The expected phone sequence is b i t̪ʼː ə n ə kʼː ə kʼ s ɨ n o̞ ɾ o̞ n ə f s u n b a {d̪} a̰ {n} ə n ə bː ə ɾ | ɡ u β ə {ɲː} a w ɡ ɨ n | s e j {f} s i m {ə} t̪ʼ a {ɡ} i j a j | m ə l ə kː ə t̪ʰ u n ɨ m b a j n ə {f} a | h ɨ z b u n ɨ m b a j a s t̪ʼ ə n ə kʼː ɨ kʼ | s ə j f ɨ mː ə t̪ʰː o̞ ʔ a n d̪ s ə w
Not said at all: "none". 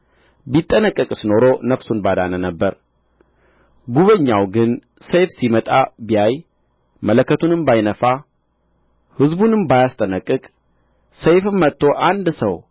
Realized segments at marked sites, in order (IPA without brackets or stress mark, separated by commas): d̪, n, ɲː, f, ə, b, f